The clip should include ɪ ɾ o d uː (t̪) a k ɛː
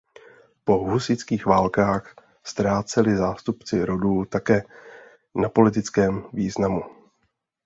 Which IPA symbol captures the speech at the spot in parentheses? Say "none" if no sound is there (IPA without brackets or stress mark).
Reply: t̪